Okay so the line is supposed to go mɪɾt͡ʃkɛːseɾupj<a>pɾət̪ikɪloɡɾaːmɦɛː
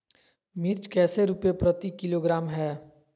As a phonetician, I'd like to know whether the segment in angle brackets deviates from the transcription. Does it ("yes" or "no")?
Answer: yes